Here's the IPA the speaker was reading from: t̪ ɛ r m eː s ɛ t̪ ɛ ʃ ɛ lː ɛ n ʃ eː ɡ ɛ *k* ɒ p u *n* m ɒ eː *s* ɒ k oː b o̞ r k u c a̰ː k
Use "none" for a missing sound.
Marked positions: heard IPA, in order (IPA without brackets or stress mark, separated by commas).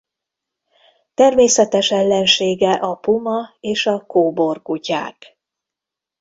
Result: ʔ, none, ʃ